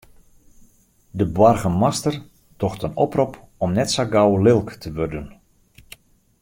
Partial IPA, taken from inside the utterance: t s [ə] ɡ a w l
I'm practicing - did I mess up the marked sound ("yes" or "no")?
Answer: yes